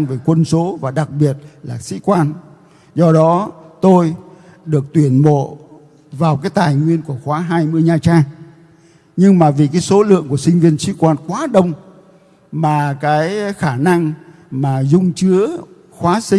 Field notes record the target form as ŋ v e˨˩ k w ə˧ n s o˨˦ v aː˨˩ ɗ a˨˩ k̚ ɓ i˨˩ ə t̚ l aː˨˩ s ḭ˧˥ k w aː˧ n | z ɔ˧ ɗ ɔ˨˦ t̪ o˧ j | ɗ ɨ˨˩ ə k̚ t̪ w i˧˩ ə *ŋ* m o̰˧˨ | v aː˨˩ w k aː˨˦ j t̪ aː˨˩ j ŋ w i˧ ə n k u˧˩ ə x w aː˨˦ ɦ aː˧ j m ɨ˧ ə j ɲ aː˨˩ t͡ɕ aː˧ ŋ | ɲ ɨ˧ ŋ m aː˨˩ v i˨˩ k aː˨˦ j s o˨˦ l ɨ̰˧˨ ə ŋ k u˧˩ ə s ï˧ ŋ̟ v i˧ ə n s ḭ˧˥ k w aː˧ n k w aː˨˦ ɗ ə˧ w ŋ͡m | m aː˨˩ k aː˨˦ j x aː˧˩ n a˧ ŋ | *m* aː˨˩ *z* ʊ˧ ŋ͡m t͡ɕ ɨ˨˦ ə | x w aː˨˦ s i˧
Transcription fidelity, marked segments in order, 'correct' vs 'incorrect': incorrect: n, correct, correct

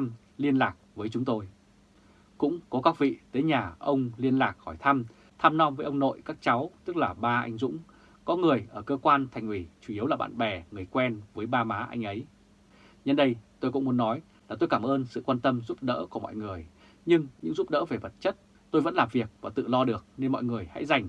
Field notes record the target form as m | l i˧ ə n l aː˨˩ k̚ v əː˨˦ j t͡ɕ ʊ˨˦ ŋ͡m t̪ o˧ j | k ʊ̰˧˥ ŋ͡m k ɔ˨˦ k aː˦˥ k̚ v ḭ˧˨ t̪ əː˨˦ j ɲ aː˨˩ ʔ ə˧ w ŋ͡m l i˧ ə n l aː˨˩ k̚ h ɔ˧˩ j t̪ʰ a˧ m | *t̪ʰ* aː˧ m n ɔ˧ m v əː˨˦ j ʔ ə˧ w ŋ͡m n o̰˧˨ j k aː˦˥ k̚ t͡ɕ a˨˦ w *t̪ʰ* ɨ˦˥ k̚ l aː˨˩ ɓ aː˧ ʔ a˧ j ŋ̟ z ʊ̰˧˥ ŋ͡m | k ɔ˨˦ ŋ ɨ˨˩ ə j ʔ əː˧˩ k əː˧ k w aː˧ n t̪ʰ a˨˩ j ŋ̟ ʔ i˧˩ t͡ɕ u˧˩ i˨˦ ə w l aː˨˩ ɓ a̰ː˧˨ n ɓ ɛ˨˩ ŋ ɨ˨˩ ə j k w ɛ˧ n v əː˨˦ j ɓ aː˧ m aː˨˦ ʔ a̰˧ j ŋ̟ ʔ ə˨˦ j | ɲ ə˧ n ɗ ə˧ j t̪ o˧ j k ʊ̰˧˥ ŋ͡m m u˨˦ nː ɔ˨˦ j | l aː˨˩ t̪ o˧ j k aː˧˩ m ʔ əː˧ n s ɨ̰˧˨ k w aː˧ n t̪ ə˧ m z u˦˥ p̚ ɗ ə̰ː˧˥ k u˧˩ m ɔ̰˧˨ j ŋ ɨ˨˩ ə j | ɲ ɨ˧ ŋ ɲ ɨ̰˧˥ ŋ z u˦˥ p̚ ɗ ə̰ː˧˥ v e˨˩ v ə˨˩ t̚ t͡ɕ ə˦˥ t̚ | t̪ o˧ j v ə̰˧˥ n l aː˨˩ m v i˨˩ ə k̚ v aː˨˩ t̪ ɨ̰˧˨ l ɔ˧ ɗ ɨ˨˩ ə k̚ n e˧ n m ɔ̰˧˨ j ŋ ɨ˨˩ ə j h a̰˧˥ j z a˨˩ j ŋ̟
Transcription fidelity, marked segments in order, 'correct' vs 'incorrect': correct, incorrect: t̪

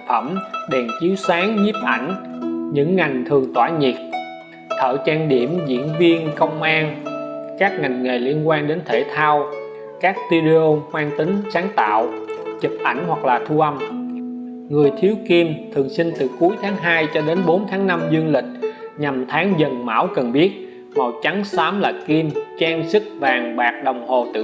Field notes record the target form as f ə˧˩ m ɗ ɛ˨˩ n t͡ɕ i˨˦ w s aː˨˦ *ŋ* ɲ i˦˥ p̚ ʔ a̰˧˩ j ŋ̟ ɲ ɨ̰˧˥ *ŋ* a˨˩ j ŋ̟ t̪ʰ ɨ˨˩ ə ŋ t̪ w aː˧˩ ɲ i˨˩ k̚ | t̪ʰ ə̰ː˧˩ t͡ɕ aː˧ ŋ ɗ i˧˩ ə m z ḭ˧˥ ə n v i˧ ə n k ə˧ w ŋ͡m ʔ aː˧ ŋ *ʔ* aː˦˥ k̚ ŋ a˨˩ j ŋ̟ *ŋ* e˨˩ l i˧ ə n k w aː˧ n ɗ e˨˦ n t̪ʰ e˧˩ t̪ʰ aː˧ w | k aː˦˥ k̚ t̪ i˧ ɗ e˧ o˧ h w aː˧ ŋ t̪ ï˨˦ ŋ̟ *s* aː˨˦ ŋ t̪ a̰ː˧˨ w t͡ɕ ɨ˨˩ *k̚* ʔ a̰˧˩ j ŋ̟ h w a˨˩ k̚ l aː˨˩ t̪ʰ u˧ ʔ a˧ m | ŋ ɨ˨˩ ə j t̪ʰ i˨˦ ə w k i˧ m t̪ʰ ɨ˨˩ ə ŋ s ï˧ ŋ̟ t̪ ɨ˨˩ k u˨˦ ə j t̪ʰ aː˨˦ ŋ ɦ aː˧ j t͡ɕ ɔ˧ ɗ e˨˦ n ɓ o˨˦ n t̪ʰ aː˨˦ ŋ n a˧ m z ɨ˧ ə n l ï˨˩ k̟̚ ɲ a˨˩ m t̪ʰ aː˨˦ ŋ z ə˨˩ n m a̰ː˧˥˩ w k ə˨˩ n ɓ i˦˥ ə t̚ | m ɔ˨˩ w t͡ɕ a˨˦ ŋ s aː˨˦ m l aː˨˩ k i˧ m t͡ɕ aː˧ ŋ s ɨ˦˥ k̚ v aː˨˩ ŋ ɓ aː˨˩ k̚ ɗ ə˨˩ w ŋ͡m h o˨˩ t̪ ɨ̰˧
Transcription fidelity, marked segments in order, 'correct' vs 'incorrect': correct, incorrect: ŋː, incorrect: k, correct, correct, incorrect: p̚

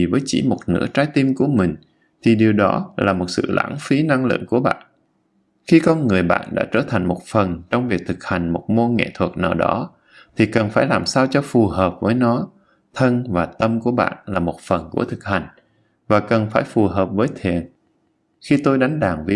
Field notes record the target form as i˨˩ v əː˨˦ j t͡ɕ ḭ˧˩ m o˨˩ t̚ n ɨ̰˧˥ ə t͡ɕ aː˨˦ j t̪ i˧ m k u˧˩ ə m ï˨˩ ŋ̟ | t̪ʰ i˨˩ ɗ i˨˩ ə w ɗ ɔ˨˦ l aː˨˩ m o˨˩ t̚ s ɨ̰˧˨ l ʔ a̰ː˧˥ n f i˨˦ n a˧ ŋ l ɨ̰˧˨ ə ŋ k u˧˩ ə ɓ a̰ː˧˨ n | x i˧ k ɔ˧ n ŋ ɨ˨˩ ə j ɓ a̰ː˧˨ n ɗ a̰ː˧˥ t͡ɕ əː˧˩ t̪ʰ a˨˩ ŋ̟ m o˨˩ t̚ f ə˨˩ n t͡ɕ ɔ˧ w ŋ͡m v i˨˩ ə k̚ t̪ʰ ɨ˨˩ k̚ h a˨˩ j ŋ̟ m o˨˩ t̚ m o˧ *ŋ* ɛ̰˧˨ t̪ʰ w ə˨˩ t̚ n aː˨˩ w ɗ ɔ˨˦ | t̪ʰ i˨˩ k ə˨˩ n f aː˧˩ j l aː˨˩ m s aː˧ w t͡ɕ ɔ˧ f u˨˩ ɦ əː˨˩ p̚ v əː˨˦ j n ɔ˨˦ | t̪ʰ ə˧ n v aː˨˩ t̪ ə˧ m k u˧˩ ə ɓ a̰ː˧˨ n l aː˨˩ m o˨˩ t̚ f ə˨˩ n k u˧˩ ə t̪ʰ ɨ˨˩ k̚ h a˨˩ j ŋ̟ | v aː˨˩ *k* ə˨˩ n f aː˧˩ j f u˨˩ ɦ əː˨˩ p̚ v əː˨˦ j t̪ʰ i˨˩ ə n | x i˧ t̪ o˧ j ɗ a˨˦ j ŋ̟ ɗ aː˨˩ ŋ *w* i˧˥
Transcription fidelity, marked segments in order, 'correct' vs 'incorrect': correct, correct, incorrect: v

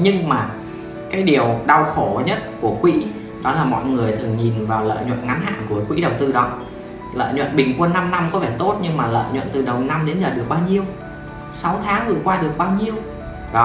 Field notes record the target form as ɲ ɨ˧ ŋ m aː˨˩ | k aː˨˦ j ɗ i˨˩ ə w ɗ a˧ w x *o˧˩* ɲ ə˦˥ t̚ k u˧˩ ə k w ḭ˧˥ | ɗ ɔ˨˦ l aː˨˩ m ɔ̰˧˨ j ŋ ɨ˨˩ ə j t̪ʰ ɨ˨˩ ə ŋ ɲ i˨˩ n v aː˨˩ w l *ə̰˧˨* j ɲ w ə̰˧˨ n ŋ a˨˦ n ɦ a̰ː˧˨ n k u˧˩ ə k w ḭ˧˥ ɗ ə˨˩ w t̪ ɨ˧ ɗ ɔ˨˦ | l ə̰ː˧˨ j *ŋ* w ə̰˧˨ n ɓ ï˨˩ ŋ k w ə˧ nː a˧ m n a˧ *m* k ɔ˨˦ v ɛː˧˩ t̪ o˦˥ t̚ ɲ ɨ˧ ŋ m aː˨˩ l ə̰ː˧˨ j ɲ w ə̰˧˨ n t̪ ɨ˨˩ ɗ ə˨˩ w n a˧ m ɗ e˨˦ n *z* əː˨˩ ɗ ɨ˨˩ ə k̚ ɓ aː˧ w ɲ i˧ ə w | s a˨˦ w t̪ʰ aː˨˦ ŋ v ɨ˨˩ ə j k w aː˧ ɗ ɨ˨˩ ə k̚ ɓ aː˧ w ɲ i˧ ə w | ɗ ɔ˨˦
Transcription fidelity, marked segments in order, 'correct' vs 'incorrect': correct, incorrect: ə̰ː˧˨, incorrect: ɲ, correct, correct

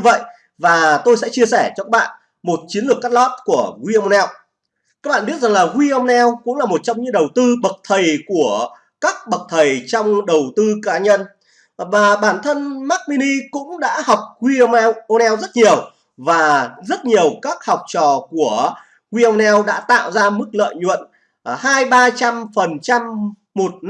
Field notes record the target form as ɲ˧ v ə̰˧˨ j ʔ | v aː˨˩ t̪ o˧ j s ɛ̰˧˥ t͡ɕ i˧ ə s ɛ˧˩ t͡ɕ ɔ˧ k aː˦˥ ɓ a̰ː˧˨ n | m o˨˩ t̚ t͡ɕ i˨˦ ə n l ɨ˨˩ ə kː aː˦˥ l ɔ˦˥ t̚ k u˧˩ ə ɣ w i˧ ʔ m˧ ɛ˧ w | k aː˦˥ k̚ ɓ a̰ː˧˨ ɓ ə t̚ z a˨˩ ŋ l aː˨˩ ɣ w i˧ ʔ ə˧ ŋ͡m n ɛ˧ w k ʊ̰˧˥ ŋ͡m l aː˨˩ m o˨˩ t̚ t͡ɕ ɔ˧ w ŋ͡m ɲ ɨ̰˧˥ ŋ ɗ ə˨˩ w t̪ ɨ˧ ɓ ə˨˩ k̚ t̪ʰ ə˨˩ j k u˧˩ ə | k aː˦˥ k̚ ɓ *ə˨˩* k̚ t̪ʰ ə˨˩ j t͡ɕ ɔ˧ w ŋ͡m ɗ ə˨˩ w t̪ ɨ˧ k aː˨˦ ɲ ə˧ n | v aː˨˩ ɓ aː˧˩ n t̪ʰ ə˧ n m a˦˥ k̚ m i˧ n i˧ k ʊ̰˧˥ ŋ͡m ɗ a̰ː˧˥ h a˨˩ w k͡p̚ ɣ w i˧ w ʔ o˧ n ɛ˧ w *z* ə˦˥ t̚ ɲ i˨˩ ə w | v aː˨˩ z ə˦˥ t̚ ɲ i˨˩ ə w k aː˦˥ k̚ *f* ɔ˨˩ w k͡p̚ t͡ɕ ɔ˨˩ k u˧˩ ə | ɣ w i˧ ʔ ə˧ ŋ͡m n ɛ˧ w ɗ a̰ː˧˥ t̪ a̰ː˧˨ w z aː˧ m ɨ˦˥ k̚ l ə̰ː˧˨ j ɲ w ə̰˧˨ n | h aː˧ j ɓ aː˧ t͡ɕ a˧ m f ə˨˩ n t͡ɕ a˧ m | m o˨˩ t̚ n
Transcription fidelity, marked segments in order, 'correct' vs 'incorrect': correct, correct, incorrect: h

